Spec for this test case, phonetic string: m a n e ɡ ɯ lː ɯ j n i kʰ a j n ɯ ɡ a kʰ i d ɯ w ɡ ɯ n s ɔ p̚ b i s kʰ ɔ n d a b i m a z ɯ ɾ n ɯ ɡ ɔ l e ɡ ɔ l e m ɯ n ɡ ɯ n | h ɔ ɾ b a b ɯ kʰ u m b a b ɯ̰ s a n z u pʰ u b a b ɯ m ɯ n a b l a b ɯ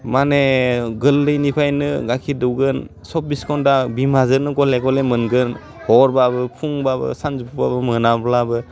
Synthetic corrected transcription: m a n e ɡ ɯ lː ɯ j n i pʰ a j n ɯ ɡ a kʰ i d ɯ w ɡ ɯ n s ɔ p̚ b i s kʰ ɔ n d a b i m a z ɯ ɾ n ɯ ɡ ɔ l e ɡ ɔ l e m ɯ n ɡ ɯ n | h ɔ ɾ b a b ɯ pʰ u ŋ b a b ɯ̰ s a n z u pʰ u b a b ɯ m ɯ n a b l a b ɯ